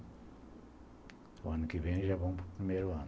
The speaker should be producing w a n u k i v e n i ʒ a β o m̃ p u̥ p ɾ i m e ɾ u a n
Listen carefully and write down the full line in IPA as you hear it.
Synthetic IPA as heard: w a n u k i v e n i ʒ a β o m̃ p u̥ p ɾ i m e ɾ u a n